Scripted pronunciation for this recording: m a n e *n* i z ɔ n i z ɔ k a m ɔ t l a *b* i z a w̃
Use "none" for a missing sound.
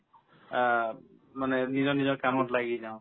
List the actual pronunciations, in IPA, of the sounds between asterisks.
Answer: n, ɡ

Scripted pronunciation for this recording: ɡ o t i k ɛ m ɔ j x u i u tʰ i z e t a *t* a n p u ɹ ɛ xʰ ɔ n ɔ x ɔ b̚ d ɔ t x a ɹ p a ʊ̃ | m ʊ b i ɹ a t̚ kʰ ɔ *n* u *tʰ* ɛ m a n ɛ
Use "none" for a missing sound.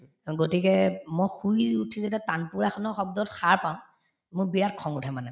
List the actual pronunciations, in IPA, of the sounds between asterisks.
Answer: t, ŋ, tʰ

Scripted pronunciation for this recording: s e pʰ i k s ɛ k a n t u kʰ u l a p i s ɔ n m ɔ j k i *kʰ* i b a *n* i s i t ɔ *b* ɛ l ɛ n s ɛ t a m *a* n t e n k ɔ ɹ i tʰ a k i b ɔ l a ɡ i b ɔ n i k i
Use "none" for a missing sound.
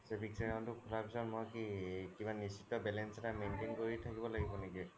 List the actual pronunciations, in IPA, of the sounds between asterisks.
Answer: k, n, b, e

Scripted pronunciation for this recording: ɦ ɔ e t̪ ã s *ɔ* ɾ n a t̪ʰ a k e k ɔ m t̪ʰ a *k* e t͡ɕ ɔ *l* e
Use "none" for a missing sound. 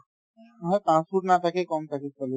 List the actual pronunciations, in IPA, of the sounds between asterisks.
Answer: u, k, l

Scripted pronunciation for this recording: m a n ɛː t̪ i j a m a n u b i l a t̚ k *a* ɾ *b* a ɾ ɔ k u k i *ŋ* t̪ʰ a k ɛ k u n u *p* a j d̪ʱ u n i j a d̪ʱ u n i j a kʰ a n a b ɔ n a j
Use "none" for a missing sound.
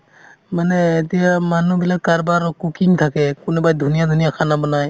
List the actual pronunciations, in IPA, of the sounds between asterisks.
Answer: a, b, ŋ, b

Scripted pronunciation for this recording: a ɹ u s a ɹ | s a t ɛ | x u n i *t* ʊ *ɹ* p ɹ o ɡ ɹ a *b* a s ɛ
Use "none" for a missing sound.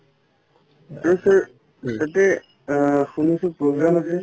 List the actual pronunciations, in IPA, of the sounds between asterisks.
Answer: s, none, m

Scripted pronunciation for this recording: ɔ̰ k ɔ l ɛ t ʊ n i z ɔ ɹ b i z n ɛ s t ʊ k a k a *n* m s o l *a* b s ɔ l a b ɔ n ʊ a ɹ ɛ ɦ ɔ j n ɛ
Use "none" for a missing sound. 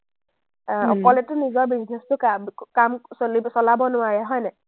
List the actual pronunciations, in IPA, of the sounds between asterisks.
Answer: none, i

